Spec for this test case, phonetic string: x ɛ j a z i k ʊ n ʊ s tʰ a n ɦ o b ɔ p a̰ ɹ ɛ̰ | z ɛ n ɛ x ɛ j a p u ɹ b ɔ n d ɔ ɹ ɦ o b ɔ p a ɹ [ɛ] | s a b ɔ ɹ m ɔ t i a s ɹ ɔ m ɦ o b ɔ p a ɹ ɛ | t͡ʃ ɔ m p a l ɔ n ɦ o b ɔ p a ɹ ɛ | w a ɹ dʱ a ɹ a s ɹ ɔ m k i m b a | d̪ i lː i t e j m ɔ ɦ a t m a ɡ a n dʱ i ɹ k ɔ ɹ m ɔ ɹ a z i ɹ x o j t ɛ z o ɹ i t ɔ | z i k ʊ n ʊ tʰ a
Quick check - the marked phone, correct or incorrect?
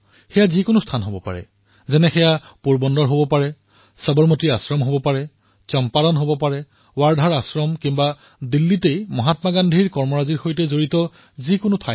correct